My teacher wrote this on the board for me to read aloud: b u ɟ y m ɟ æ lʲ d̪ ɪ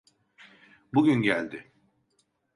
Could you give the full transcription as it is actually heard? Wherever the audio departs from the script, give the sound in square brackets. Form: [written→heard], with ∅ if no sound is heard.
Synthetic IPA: b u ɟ y [m→n] ɟ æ lʲ d̪ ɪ